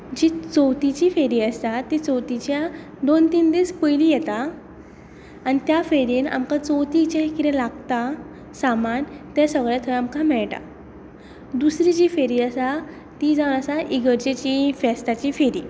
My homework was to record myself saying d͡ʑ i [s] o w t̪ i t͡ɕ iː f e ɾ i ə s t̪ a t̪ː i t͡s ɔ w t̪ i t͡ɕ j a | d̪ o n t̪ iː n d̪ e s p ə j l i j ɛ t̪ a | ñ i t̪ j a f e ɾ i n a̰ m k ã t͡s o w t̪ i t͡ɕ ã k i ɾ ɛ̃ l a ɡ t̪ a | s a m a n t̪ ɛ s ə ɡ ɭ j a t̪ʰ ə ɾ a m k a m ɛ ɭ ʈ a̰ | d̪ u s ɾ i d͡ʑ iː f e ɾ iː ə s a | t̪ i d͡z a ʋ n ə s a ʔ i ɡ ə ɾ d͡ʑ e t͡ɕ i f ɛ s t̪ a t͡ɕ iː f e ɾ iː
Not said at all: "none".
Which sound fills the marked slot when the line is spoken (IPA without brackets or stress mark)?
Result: t͡s